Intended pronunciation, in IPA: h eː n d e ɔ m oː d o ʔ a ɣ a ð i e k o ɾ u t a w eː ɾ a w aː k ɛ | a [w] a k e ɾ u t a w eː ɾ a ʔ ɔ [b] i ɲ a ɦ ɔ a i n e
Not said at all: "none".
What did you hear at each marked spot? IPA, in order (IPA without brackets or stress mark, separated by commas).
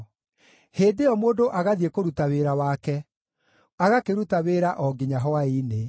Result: ɣ, ɡ